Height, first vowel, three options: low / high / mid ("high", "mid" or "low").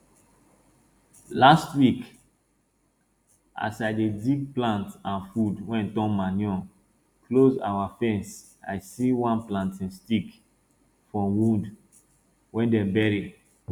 low